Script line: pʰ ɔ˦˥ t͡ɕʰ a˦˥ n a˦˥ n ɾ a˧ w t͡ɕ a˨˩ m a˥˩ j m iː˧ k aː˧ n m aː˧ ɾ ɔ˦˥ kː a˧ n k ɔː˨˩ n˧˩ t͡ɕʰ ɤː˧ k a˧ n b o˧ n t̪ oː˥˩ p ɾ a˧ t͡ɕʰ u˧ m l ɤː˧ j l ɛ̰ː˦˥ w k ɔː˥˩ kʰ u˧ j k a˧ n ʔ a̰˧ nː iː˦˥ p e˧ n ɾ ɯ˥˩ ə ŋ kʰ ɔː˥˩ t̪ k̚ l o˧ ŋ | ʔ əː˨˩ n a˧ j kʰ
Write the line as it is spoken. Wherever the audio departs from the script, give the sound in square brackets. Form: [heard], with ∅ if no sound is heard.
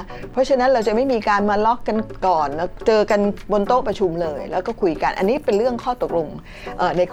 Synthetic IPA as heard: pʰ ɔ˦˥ t͡ɕʰ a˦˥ n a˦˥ n ɾ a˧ w t͡ɕ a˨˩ m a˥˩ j m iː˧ k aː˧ n m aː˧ [l] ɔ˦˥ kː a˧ n k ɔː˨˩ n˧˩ [t͡ɕ] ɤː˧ k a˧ n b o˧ n t̪ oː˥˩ p ɾ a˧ t͡ɕʰ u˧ m l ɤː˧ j l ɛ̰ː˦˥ w k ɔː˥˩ kʰ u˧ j k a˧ n ʔ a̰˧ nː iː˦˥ p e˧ n ɾ ɯ˥˩ ə ŋ kʰ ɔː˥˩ t̪ k̚ l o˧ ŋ | ʔ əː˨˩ n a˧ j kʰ